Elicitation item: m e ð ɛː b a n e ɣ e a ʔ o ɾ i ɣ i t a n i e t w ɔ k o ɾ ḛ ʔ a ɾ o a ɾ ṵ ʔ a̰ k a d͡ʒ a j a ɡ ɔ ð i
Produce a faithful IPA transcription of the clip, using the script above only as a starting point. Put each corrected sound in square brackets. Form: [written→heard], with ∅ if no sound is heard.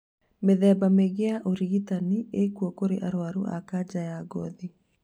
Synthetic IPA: m e ð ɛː b a [n→m] e ɣ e a ʔ o ɾ i ɣ i t a n i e [t→k] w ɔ k o ɾ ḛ ʔ a ɾ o a ɾ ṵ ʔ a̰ k a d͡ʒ a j a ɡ ɔ ð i